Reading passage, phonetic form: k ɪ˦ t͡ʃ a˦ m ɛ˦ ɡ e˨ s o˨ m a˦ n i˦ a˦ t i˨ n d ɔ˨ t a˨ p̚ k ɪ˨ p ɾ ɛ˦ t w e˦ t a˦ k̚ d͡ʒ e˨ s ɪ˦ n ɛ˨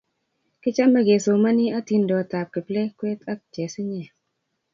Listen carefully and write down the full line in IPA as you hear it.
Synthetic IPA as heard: k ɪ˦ t͡ʃ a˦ m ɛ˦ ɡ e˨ s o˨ m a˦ n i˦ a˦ t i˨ n d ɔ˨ t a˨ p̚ k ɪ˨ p l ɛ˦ k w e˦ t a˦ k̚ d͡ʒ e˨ s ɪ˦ ɲ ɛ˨

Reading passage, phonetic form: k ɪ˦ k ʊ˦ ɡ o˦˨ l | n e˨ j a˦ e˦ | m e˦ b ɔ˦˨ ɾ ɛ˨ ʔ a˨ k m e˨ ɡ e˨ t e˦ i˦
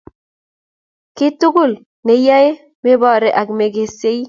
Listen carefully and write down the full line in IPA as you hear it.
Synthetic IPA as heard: k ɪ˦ t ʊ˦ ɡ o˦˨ l | n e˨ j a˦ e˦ | m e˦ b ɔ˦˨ ɾ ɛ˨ ʔ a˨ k m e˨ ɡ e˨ s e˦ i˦

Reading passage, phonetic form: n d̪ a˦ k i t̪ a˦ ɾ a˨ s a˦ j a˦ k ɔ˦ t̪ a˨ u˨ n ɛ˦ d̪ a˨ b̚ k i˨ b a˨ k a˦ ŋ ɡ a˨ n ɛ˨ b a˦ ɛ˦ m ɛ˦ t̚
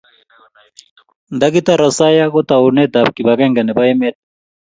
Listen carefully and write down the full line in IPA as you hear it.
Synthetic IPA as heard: n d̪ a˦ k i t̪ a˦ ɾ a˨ s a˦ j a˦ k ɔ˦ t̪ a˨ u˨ n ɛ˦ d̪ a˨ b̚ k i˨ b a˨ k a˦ ŋ ɡ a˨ n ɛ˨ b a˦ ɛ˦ m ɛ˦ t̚

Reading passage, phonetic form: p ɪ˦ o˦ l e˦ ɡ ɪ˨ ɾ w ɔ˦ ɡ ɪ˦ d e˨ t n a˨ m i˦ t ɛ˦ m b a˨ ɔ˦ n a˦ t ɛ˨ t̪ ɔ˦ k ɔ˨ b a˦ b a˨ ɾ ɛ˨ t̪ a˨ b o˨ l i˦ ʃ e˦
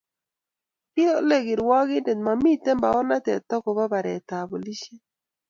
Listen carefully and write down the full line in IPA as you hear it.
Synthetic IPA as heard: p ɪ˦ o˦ l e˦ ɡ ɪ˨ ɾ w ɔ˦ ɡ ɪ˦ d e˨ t m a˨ m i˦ t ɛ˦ m b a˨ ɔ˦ n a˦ t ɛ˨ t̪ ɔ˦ k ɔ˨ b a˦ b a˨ ɾ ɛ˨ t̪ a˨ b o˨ l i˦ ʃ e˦

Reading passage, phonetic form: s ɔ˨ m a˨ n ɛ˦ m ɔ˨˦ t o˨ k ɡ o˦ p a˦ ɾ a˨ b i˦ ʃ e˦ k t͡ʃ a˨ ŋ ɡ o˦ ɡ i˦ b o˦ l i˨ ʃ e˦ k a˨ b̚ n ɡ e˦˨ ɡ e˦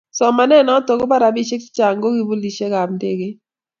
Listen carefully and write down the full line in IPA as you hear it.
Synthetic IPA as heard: s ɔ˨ m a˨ n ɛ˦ n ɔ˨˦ t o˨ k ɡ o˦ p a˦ ɾ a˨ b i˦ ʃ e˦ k t͡ʃ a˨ ŋ ɡ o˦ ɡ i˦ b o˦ l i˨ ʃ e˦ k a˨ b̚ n d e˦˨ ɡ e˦

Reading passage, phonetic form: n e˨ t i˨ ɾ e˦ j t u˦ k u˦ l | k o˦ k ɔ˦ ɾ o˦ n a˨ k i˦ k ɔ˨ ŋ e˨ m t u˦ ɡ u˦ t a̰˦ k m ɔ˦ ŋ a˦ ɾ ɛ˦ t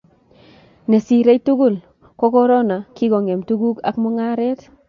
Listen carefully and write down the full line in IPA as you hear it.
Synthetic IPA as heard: n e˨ s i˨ ɾ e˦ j t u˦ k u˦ l | k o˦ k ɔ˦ ɾ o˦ n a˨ k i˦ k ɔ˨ ŋ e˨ m t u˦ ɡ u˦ k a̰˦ k m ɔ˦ ŋ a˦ ɾ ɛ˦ t

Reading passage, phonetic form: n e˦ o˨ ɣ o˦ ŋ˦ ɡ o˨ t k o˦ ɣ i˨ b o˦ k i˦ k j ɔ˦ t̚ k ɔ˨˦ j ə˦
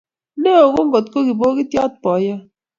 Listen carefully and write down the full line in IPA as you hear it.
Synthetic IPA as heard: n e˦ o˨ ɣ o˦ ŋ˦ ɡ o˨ t k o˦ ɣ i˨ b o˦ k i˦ t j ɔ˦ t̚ p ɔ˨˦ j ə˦

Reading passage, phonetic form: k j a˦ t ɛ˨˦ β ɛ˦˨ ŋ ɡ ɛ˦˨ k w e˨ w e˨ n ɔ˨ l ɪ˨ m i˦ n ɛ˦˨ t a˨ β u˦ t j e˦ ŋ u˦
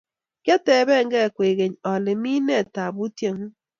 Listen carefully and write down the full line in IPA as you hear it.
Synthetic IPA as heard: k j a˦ t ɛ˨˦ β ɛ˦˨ ŋ ɡ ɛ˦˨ k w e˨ ɣ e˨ ɲ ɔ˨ l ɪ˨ m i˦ n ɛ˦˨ t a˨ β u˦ t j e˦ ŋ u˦

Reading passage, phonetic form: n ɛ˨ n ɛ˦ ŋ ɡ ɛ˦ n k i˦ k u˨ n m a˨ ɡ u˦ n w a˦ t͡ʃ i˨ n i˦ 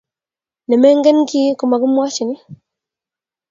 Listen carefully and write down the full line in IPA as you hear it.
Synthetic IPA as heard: n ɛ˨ m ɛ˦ ŋ ɡ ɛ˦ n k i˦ k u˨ m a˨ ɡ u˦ m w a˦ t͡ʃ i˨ n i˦

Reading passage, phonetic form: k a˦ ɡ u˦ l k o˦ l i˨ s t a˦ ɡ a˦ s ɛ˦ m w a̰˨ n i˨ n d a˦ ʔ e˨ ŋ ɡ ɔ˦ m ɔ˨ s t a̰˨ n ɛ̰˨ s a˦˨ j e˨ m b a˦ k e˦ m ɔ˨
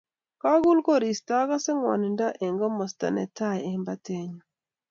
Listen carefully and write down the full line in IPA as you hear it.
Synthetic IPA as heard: k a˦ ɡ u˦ l k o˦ ɾ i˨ s t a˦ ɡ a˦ s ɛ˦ ŋ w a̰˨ n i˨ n d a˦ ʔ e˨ ŋ ɡ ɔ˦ m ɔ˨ s t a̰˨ n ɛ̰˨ t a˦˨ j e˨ m b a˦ t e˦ ɲ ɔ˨

